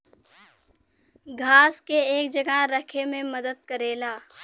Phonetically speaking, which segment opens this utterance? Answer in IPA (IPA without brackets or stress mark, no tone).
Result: ɡʱ